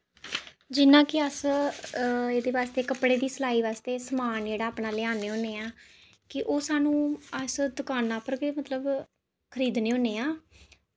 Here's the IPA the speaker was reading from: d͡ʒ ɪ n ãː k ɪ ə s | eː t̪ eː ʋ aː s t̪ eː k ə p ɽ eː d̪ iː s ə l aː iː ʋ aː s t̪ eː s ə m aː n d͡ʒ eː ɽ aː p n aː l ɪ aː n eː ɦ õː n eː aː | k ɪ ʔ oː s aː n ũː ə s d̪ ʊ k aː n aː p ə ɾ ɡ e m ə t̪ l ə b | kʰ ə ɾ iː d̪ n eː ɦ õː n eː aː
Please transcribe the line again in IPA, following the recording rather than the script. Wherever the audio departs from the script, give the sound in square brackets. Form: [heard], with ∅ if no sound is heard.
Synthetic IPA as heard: d͡ʒ ɪ n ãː k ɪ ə s | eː [d̪] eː ʋ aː s t̪ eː k ə p ɽ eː d̪ iː s ə l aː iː ʋ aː s t̪ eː s ə m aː n d͡ʒ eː ɽ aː p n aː l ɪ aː n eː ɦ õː n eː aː | k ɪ ʔ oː s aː n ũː ə s d̪ ʊ k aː n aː p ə ɾ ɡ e m ə t̪ l ə b | kʰ ə ɾ iː d̪ n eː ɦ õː n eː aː